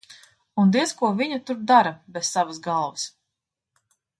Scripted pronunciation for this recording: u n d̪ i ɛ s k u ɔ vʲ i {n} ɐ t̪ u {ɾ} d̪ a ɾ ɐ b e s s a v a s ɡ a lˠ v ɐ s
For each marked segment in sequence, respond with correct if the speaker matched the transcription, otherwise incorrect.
incorrect: ɲ, correct

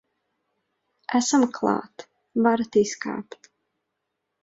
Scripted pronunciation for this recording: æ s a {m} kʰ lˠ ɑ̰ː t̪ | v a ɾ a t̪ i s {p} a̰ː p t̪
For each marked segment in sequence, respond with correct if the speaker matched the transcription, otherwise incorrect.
correct, incorrect: k

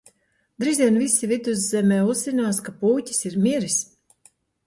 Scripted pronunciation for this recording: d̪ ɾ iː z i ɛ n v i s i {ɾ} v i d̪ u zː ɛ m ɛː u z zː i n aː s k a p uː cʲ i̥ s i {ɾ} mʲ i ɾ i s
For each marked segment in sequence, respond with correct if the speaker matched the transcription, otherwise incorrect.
incorrect: none, correct

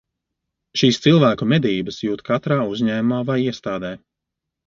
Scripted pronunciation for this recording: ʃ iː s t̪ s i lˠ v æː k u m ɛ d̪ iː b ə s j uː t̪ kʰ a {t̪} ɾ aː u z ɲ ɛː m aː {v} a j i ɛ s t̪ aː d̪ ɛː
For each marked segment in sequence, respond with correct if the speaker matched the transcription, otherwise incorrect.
correct, correct

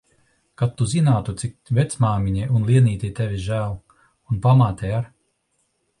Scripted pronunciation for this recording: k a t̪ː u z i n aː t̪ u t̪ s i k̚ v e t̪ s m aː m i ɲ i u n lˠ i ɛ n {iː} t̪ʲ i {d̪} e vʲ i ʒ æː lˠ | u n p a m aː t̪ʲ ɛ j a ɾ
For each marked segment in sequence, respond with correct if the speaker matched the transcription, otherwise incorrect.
correct, incorrect: t̪

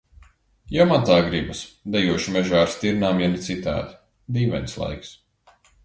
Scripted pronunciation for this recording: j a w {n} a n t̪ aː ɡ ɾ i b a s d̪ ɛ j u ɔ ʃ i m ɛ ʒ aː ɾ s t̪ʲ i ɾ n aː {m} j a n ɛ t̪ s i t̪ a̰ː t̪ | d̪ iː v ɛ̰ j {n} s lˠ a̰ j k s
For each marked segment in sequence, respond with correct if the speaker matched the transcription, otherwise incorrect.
incorrect: m, correct, correct

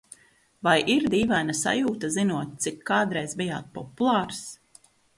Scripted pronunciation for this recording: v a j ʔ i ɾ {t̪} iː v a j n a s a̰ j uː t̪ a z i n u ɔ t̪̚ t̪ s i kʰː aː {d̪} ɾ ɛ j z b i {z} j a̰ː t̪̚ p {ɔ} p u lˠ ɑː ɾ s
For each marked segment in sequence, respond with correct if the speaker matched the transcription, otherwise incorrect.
incorrect: d̪, correct, incorrect: none, correct

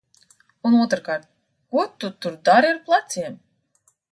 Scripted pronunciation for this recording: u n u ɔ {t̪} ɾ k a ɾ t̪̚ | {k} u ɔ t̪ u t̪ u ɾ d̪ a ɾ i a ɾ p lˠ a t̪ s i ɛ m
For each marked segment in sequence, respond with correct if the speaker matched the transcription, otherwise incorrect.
correct, correct

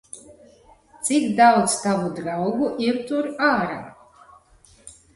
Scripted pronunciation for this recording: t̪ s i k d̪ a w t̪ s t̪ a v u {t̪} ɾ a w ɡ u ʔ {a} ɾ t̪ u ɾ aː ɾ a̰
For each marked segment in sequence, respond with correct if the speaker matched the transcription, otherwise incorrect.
incorrect: d̪, incorrect: i

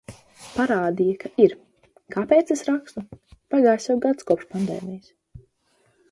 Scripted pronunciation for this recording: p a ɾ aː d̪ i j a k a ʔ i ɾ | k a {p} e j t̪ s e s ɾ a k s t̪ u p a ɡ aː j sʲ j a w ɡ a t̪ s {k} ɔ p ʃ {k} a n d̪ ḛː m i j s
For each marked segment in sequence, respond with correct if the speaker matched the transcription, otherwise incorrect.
correct, correct, incorrect: p

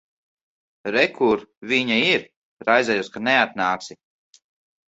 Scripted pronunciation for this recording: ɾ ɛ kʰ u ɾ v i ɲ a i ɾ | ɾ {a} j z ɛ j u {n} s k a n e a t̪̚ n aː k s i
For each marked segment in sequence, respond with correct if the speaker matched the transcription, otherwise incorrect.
correct, incorrect: none

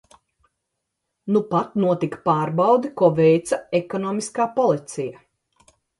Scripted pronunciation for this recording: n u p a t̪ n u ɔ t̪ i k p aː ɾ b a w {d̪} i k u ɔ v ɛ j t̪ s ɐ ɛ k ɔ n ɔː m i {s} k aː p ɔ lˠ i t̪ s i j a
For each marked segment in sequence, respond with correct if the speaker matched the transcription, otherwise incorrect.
correct, correct

